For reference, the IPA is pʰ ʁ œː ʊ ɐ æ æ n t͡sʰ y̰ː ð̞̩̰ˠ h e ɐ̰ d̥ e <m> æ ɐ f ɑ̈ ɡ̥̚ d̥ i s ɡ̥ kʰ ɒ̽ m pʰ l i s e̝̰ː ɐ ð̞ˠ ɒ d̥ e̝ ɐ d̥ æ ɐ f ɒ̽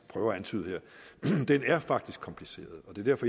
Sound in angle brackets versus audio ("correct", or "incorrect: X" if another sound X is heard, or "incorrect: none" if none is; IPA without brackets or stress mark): incorrect: n